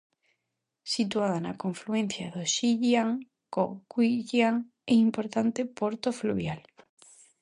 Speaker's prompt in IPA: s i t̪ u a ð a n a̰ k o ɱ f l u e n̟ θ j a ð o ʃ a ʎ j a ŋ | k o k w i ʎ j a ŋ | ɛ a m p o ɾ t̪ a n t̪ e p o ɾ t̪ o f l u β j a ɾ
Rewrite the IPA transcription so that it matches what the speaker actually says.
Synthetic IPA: s i t̪ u a ð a n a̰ k o ɱ f l u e n̟ θ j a ð o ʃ i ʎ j a ŋ | k o k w i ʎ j a ŋ | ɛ i m p o ɾ t̪ a n t̪ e p o ɾ t̪ o f l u β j a l